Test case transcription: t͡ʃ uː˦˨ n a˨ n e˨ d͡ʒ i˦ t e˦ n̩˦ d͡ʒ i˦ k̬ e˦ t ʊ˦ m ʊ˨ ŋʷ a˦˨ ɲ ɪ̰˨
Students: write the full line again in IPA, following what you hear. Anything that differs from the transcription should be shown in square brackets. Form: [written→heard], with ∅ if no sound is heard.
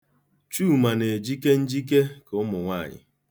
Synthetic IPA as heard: t͡ʃ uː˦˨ [n→m] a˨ n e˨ d͡ʒ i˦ [t→k] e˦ n̩˦ d͡ʒ i˦ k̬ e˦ [t→k] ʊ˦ m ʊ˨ ŋʷ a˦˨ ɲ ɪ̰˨